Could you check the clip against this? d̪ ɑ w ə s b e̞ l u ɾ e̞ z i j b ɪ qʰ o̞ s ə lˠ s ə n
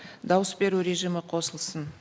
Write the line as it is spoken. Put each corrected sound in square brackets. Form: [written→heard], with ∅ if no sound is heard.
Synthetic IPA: d̪ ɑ w ə s b e̞ [l→ɾ] u ɾ e̞ [z→ʒ] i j [b→m] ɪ qʰ o̞ s ə lˠ s ə n